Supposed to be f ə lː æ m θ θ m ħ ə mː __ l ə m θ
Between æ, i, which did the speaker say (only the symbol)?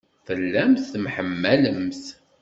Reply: æ